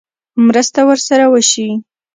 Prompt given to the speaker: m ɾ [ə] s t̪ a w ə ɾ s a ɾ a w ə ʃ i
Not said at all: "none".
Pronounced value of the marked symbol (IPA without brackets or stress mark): ə